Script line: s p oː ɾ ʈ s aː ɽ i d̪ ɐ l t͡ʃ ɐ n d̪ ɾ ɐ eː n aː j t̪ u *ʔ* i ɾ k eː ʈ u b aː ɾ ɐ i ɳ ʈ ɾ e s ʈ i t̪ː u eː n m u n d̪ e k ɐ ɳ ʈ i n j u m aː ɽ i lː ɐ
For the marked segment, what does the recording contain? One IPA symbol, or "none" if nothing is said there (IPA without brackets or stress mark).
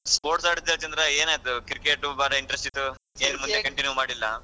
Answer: k